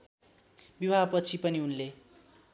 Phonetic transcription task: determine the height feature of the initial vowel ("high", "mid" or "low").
high